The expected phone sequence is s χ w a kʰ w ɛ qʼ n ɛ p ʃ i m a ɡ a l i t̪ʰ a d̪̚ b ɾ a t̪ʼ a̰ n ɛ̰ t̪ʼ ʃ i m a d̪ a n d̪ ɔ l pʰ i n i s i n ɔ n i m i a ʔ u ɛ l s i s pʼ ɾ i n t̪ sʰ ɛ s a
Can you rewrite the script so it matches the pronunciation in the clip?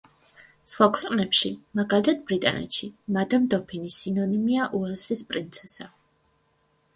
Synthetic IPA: s χ w a kʰ w ɛ qʼ n ɛ p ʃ i m a ɡ a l i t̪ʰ a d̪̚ b ɾ i t̪ʼ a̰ n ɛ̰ t̪ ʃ i m a d̪ a m d̪ ɔ pʰ i n i s i n ɔ n i m i a ʔ u ɛ l s i s pʼ ɾ i n t̪ sʰ ɛ s a